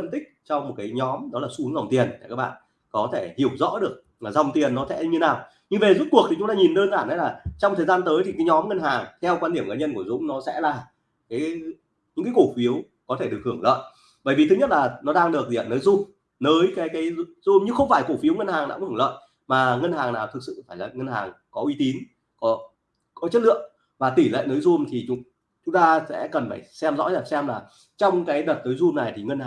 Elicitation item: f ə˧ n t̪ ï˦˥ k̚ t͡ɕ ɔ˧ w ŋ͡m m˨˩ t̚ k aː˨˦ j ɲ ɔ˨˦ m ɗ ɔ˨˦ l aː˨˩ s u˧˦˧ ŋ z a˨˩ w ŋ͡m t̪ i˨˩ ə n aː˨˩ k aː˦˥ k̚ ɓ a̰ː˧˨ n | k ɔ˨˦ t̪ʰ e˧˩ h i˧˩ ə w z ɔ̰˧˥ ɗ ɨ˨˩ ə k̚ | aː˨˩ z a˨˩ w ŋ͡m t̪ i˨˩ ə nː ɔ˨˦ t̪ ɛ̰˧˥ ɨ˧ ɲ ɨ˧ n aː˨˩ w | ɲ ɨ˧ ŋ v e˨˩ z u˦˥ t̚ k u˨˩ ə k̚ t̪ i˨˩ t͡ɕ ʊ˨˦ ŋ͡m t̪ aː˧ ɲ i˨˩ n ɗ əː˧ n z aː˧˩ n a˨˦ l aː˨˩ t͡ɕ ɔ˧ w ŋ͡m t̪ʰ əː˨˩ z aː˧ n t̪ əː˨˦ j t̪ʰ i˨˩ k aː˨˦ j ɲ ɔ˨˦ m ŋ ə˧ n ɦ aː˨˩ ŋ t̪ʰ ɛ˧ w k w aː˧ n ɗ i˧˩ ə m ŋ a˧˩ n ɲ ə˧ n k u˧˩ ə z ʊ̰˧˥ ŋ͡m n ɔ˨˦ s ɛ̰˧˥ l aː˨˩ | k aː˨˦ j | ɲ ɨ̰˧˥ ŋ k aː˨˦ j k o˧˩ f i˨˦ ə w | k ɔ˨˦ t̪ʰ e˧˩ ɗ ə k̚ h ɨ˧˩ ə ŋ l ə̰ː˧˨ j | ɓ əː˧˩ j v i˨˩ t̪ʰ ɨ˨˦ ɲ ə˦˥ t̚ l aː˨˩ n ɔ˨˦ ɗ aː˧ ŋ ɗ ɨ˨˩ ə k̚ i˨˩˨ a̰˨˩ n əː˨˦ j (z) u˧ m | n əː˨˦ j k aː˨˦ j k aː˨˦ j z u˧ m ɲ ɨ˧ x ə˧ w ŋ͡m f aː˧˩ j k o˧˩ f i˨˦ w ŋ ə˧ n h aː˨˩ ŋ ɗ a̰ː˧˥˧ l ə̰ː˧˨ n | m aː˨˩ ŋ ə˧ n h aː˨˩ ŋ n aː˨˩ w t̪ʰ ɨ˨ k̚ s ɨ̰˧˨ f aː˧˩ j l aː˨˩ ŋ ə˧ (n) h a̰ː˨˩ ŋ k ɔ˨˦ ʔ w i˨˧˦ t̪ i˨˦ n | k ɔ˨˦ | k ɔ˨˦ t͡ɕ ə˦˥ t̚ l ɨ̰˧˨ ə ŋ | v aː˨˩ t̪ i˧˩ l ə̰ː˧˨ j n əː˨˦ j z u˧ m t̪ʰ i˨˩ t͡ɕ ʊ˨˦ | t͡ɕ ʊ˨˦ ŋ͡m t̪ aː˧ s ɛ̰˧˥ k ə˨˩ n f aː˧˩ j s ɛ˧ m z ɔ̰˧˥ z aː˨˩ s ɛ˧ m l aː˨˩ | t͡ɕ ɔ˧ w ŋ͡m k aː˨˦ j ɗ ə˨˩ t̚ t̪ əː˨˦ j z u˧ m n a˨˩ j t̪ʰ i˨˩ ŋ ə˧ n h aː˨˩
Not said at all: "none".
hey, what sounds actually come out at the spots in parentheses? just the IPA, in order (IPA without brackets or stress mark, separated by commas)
z, n